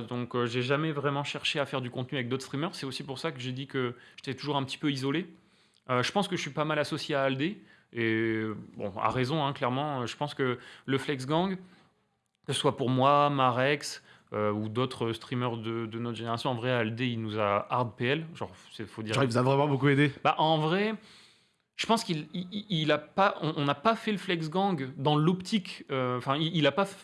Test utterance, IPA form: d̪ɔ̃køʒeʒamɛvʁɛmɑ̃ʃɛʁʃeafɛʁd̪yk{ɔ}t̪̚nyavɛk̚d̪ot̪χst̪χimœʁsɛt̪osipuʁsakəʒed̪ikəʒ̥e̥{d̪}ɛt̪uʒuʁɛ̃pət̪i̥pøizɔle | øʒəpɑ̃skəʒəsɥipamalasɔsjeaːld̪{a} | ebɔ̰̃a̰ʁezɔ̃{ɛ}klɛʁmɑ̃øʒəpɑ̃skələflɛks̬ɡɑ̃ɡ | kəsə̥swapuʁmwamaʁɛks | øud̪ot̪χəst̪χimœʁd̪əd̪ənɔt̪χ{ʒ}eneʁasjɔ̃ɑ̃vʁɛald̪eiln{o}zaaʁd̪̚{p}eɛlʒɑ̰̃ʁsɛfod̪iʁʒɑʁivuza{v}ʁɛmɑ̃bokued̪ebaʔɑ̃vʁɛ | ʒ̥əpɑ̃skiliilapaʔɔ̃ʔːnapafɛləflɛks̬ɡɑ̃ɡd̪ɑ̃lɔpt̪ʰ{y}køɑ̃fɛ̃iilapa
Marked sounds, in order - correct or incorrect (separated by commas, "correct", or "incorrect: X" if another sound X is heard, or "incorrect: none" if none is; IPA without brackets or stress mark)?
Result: incorrect: ɔ̃, incorrect: t̪, incorrect: e, incorrect: ɛ̃, correct, incorrect: u, correct, correct, incorrect: i